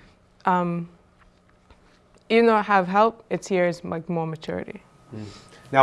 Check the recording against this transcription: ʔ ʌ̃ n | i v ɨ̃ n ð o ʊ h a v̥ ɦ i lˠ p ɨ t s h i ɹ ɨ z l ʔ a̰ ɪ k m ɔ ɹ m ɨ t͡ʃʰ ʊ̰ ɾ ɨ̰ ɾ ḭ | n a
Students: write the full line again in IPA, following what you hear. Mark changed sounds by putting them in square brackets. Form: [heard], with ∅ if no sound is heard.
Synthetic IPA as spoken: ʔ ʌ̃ [m] | i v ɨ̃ n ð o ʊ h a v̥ ɦ [ɛ] lˠ p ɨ t s h i ɹ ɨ z l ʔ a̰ ɪ k m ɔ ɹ m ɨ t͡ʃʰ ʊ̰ [ɹ] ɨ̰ ɾ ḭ | n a